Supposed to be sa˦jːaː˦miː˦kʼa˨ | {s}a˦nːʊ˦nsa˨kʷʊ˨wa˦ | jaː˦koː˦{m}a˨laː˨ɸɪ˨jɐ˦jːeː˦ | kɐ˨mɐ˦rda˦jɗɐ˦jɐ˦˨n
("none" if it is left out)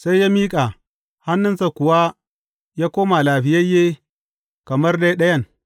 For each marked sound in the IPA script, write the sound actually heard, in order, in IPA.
h, m

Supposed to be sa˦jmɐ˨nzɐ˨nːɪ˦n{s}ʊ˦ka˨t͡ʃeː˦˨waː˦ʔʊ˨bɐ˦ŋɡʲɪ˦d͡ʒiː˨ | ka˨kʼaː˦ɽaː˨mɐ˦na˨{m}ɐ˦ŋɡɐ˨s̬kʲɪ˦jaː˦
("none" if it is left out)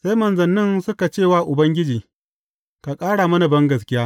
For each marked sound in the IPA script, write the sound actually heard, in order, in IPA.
s, b

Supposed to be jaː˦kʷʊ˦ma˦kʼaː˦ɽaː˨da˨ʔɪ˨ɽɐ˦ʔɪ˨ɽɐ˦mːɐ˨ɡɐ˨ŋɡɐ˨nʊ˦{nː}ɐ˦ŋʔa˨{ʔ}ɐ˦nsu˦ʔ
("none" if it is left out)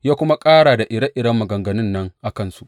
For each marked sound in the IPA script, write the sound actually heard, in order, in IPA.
nː, k

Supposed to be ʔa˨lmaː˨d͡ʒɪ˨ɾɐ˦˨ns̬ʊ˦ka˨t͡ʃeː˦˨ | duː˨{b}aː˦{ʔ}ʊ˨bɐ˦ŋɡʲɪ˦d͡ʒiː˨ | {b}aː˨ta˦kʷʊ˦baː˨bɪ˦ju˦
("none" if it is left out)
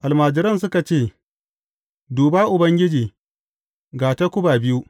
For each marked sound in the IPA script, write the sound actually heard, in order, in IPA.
b, ʔ, ɡ

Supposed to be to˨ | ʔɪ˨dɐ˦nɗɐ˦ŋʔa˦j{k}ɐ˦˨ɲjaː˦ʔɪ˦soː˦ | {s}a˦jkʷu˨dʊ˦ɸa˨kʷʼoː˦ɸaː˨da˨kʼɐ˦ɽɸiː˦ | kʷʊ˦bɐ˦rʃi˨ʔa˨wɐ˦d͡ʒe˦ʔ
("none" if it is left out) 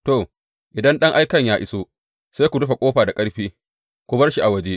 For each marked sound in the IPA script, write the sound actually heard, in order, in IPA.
k, s

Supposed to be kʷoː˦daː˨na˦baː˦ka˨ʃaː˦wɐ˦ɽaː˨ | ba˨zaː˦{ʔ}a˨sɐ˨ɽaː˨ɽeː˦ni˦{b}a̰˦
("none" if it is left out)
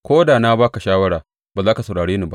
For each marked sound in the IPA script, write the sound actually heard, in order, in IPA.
k, b

